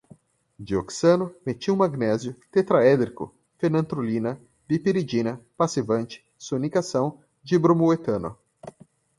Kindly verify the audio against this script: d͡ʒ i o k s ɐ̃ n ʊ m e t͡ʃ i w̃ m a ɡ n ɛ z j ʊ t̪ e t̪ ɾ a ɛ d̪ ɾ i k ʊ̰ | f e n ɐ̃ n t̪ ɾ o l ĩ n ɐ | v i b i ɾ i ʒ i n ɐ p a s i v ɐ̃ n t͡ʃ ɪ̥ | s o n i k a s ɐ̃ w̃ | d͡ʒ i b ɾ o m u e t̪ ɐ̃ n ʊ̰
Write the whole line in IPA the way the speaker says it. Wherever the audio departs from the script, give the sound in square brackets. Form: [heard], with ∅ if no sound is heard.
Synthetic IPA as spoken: d͡ʒ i o k s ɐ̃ n ʊ m e t͡ʃ i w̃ m a ɡ n ɛ z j ʊ t̪ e t̪ ɾ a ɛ d̪ ɾ i k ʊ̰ | f e n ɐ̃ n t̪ ɾ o l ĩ n ɐ | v i [p] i ɾ i [d͡ʒ] i n ɐ p a s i v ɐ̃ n t͡ʃ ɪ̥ | s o n i k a s ɐ̃ w̃ | d͡ʒ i b ɾ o m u e t̪ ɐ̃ n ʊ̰